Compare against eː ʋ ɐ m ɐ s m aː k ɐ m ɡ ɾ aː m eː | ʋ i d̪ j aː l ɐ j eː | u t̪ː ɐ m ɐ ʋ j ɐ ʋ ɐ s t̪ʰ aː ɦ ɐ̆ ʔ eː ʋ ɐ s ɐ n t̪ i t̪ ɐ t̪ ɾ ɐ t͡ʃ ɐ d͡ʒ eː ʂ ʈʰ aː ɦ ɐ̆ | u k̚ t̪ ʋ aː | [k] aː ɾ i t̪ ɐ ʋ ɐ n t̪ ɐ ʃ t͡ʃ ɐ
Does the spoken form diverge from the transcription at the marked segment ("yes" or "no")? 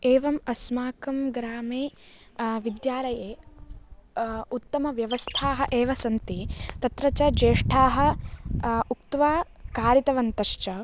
no